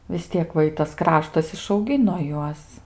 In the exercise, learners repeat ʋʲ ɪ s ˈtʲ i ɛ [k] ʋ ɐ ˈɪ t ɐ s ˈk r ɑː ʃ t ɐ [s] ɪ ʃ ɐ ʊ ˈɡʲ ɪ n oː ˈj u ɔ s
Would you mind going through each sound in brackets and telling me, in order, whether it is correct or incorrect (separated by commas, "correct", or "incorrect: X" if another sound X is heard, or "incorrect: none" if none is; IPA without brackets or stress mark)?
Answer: correct, correct